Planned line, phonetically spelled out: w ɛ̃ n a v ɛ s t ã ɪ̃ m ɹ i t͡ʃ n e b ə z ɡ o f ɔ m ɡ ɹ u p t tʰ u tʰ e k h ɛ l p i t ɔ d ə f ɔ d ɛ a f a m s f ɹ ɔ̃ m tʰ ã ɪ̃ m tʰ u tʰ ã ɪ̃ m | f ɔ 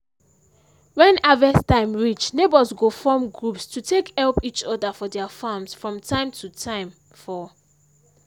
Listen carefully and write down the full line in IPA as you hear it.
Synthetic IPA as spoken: w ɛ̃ n a v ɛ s t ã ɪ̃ m ɹ i t͡ʃ n e b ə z ɡ o f ɔ m ɡ ɹ u p s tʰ u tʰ e k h ɛ l p i t͡ʃ ɔ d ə f ɔ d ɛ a f a m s f ɹ ɔ̃ m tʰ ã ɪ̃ m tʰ u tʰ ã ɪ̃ m | f ɔ